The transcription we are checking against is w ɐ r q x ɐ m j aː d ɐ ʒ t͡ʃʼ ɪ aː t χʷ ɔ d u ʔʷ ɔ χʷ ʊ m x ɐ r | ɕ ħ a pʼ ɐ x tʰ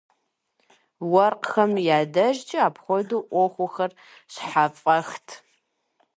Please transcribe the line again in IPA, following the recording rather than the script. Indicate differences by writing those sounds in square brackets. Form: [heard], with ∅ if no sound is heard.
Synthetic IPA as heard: w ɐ r q x ɐ m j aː d ɐ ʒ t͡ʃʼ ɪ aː [p] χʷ ɔ d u ʔʷ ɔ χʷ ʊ [∅] x ɐ r | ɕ ħ a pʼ ɐ x tʰ